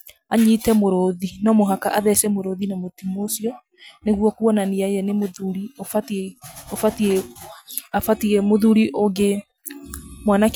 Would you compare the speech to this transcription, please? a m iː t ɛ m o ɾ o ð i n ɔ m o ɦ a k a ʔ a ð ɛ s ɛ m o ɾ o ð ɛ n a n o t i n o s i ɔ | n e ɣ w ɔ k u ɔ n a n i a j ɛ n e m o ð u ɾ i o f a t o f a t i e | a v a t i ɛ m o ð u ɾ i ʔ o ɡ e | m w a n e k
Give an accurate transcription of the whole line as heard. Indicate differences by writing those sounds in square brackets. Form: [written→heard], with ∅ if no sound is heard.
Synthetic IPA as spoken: a [m→ɲ] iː t ɛ m o ɾ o ð i n ɔ m o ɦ a k a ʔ a ð ɛ s ɛ m o ɾ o ð [ɛ→i] n a [n→m] o t i [n→m] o s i ɔ | n e ɣ w ɔ k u ɔ n a n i a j ɛ n e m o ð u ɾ i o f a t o f a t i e | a [v→f] a t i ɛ m o ð u ɾ i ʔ o ɡ e | m w a n [e→a] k